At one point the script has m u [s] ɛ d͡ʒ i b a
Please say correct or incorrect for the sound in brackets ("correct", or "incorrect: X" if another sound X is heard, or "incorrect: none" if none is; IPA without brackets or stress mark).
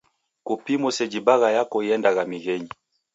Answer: correct